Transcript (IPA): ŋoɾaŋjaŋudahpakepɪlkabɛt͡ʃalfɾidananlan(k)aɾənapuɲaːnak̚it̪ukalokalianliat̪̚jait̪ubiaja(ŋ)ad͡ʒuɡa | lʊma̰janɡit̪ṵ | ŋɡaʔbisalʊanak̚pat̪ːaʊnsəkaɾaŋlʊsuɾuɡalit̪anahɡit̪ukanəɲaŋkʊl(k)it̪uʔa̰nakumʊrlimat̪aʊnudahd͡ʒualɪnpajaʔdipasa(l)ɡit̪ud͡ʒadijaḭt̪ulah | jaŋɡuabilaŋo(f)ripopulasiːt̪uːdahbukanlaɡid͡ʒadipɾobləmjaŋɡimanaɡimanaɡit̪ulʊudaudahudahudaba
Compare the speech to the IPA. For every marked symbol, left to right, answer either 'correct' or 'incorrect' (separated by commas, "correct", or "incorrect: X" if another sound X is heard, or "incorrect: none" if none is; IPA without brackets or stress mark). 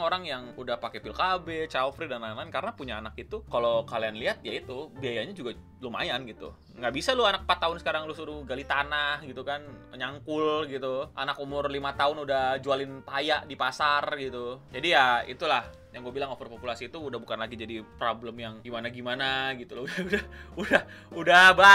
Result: correct, incorrect: ɲ, incorrect: ɡ, incorrect: r, correct